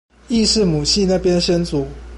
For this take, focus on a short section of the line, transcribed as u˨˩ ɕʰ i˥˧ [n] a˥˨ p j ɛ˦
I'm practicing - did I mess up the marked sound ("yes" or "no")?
no